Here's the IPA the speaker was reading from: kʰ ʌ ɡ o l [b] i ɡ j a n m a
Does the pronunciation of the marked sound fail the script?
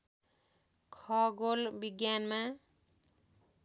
no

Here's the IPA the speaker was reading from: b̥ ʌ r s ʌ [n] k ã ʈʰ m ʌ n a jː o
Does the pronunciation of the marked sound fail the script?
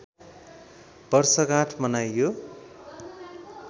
yes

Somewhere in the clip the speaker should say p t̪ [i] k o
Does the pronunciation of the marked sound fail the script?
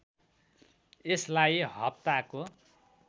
yes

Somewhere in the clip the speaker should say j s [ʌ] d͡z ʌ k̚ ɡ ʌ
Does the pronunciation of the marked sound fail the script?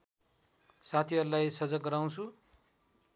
no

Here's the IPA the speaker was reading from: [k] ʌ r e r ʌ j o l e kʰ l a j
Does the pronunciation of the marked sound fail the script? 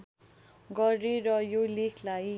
yes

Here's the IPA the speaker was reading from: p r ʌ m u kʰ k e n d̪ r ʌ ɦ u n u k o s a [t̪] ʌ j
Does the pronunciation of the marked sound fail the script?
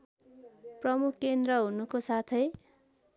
yes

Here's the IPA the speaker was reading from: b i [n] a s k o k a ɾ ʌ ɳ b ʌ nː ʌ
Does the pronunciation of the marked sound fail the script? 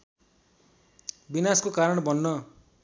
no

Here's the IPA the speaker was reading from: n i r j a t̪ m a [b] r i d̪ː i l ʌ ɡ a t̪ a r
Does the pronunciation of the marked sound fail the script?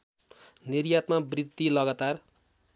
no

